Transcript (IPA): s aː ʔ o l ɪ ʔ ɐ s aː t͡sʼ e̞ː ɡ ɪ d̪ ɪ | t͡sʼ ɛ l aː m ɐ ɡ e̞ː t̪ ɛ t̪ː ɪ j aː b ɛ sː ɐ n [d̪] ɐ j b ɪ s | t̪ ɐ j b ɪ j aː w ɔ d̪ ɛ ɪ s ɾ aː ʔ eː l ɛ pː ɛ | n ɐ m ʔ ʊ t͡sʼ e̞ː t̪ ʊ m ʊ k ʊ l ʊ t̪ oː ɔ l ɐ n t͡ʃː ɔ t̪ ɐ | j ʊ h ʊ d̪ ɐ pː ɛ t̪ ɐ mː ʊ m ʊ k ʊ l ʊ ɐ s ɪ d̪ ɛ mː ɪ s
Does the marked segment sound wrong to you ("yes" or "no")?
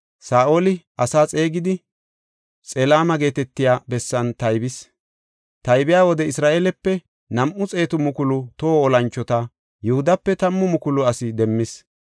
yes